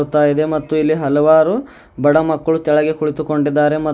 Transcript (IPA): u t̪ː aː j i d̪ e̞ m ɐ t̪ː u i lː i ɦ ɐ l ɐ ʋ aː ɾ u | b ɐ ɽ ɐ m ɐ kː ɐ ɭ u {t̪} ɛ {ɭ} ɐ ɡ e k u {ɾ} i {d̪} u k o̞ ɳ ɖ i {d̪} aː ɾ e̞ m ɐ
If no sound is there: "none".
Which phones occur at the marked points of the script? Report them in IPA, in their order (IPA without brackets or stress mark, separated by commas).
t̪, ɭ, ɭ, t̪, d̪ː